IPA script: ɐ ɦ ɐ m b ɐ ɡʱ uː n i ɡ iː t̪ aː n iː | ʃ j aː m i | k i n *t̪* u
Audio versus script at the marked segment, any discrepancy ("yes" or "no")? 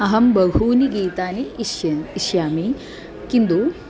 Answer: yes